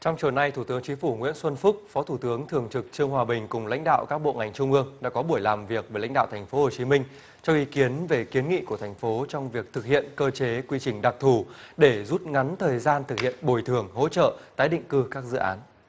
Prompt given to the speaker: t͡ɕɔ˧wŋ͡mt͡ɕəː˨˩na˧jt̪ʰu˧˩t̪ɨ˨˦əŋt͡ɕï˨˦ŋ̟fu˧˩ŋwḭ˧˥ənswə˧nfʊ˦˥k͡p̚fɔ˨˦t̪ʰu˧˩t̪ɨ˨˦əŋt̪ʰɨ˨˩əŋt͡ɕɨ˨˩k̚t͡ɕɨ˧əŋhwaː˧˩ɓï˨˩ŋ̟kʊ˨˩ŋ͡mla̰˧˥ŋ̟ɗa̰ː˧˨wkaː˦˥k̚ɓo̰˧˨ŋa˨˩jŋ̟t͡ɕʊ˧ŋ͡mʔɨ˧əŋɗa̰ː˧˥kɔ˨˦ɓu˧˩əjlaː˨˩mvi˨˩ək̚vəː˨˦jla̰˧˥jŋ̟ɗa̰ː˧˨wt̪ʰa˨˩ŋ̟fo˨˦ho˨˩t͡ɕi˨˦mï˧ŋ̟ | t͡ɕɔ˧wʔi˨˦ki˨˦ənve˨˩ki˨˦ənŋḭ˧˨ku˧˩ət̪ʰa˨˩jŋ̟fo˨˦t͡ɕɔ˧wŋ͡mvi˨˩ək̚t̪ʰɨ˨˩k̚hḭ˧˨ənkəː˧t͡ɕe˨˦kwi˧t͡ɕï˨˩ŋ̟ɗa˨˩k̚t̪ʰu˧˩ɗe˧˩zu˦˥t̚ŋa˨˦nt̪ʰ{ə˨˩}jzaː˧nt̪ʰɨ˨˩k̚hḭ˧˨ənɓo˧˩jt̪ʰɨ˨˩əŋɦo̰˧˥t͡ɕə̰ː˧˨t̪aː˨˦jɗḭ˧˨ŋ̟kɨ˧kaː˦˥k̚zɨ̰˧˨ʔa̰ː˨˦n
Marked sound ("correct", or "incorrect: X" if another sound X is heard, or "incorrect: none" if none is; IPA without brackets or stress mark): incorrect: əː˨˩